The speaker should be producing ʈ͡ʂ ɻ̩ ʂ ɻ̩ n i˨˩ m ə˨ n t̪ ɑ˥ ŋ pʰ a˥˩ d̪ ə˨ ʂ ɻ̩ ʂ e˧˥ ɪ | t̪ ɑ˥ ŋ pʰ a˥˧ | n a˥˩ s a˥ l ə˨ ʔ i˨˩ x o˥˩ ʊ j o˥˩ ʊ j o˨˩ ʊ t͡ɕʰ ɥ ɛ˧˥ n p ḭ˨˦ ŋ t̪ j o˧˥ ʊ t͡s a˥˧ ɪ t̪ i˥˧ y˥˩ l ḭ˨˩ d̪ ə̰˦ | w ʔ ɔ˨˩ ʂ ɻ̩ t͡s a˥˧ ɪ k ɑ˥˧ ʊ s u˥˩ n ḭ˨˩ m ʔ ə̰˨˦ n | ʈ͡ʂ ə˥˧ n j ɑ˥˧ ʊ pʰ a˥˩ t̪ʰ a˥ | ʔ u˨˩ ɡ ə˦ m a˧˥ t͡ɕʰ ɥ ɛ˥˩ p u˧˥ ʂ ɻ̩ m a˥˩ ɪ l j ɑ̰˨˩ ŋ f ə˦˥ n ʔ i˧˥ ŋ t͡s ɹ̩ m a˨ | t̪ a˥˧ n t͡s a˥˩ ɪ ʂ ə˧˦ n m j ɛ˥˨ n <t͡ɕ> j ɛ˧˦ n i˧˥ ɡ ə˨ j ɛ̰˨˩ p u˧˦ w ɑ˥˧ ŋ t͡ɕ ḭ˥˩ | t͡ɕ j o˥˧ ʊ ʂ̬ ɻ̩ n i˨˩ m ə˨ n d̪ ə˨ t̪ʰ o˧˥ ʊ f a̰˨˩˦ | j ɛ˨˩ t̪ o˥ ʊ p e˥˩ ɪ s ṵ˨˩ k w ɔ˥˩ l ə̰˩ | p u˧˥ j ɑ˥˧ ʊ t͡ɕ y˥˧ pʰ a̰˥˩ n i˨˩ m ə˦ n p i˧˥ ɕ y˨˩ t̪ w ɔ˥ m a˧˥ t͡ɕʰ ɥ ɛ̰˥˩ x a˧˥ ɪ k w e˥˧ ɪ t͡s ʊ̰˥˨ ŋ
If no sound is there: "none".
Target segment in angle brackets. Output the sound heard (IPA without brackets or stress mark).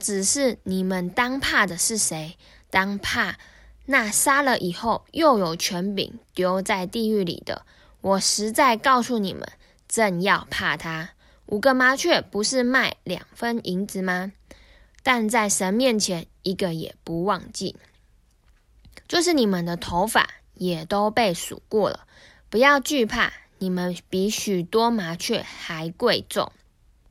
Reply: t͡ɕʰ